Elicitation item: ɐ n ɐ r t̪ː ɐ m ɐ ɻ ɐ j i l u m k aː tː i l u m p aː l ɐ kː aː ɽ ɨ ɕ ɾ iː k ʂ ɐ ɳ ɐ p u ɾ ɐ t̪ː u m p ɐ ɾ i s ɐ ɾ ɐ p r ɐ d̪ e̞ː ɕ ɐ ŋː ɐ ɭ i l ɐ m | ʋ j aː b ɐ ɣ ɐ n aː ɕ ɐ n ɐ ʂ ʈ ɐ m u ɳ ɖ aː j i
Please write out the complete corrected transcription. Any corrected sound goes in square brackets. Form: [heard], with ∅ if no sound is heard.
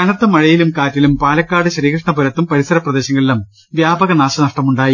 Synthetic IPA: ɐ n ɐ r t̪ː ɐ m ɐ ɻ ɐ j i l u m k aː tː i l u m p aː l ɐ kː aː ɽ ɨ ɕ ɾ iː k ʂ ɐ ɳ ɐ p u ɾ ɐ t̪ː u m p ɐ ɾ i s ɐ ɾ ɐ p r ɐ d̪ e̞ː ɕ ɐ ŋː ɐ ɭ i l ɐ m | ʋ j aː b ɐ ɣ ɐ n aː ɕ ɐ n ɐ ʂ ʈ ɐ m u ɳ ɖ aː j i